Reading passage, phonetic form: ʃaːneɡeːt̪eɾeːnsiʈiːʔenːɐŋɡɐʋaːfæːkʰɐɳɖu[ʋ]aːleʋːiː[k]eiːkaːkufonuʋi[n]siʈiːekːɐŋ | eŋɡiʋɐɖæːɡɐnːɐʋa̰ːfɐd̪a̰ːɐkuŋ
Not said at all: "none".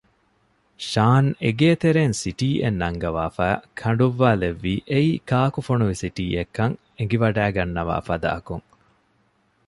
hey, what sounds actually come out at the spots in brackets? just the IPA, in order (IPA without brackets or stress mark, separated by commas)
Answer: ʋː, ʔ, none